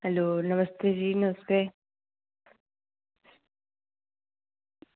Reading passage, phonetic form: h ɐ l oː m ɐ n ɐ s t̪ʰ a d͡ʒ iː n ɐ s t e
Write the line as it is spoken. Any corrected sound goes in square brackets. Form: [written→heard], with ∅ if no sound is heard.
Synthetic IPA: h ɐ l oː [m→n] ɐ [n→m] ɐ s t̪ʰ [a→e] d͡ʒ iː n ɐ s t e